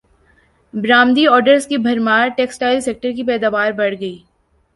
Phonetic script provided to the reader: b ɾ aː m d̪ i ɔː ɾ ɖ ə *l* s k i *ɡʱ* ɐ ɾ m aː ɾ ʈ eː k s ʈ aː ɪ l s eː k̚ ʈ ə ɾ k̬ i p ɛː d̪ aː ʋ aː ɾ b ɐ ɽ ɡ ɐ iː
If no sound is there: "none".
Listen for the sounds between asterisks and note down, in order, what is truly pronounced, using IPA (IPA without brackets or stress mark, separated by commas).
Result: ɾ, bʱ